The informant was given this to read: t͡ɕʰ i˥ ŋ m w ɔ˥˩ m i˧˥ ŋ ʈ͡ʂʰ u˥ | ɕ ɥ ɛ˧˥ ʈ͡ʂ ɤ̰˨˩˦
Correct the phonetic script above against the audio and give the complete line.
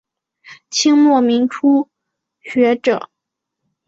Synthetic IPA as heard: t͡ɕʰ i˥ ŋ m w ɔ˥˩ m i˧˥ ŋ ʈ͡ʂʰ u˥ | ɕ ɥ ɛ˧˥ ʈ͡ʂ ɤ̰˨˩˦